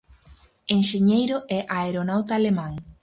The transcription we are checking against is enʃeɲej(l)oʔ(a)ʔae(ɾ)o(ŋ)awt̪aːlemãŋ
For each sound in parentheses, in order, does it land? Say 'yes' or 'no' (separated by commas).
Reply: no, no, yes, no